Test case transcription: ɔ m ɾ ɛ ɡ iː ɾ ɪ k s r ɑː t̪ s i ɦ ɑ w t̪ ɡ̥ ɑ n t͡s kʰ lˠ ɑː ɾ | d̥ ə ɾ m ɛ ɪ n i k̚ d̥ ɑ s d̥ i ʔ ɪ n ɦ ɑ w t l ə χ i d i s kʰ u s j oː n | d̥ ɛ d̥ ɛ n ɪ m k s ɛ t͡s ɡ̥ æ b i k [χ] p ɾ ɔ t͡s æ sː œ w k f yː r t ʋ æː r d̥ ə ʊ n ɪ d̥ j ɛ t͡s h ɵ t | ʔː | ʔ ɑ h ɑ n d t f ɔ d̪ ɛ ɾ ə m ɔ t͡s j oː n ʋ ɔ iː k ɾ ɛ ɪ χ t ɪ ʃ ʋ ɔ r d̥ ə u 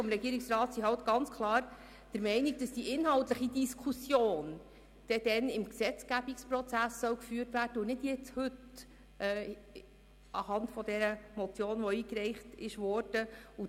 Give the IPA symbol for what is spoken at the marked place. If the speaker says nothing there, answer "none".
s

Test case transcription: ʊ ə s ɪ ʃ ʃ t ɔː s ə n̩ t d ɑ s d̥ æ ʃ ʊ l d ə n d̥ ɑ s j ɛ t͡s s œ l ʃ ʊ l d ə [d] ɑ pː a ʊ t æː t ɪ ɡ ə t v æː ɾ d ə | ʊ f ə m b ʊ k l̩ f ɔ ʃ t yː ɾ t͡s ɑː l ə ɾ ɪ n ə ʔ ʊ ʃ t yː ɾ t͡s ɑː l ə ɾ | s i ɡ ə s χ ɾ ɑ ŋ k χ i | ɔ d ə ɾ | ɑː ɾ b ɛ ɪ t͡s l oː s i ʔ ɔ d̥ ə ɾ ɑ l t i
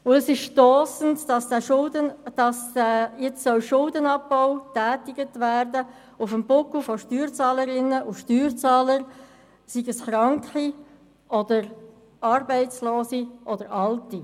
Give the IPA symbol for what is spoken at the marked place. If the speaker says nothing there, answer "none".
n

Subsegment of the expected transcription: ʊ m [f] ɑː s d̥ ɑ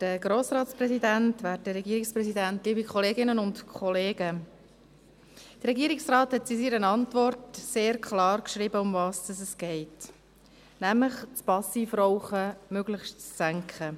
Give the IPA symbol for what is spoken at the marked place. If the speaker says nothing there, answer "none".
v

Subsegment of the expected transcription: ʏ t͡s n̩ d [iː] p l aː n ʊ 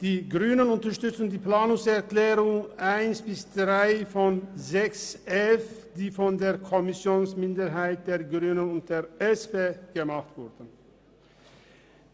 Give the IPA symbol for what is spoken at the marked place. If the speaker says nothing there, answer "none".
iː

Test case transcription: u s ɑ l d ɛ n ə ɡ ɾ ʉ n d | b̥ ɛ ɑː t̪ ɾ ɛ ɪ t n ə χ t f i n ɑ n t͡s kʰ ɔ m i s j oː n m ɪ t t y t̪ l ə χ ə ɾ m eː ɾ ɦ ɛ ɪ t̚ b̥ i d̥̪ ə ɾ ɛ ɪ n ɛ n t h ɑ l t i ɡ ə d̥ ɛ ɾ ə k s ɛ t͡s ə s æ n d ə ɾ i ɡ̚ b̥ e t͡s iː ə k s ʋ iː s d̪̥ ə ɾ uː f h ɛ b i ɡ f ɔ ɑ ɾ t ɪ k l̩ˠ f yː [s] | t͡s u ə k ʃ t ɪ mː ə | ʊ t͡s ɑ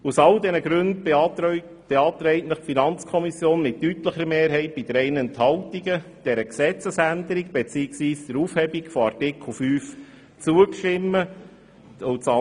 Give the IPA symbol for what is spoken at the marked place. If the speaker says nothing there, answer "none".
f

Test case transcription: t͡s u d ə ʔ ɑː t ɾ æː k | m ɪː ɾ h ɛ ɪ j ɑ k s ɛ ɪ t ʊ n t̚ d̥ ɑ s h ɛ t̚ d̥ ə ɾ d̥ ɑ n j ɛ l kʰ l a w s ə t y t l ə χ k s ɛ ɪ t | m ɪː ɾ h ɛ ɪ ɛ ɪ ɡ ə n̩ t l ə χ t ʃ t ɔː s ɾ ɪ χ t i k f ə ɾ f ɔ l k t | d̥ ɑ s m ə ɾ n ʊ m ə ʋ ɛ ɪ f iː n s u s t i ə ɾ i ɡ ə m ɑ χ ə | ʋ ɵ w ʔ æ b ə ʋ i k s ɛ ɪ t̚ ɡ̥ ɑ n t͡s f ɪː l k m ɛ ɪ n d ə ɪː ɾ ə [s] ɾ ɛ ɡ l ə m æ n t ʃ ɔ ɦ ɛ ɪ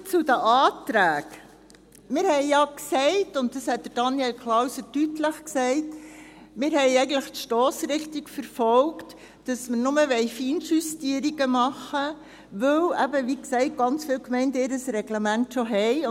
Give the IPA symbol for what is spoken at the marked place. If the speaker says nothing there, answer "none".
s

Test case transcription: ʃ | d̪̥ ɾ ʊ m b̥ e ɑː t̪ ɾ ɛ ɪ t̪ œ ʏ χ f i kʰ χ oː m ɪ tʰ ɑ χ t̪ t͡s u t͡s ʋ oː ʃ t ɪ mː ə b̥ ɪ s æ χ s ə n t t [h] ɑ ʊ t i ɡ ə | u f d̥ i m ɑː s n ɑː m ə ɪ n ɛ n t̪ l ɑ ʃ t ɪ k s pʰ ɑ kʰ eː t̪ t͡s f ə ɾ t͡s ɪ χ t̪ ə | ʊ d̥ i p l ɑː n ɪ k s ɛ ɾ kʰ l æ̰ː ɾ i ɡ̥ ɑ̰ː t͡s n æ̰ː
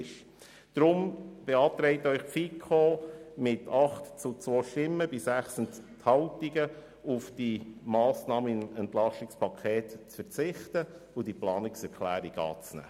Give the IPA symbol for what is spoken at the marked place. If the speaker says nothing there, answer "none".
h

